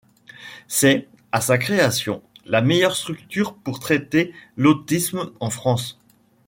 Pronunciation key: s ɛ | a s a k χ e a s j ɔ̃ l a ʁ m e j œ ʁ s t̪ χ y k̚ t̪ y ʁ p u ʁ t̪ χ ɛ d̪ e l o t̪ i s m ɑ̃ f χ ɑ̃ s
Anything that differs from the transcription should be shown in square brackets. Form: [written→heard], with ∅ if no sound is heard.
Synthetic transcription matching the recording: s ɛ | a s a k χ e a s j ɔ̃ l a [ʁ→∅] m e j œ ʁ s t̪ χ y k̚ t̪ y ʁ p u ʁ t̪ χ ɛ [d̪→t̪] e l o t̪ i s m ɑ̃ f χ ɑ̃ s